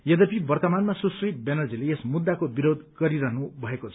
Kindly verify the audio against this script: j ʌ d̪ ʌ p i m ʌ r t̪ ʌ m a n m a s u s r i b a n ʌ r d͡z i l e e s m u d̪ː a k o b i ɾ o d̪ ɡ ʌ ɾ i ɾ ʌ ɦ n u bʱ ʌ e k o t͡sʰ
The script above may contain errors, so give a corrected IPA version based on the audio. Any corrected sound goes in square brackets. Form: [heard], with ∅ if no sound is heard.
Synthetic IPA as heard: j ʌ d̪ ʌ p i [b] ʌ r t̪ ʌ m a n m a s u s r i b [e] n ʌ r d͡z i l e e s m u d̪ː a k o b i ɾ o d̪ ɡ ʌ ɾ i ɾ ʌ ɦ n u bʱ ʌ e k o t͡sʰ